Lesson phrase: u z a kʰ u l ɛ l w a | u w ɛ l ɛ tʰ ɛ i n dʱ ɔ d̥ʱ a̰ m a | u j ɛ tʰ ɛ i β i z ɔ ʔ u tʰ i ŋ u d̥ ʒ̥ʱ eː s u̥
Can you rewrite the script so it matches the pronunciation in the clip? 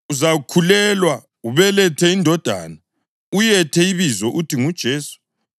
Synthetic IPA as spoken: u z a kʰ u l ɛ l w a | u β ɛ l ɛ tʰ ɛ i n dʱ ɔ d̥ʱ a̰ n a | u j ɛ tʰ ɛ i β i z ɔ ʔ u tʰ i ŋ u d̥ ʒ̥ʱ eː s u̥